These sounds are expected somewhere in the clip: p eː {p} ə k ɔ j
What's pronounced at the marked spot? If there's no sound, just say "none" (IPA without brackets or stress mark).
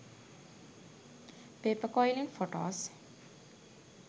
p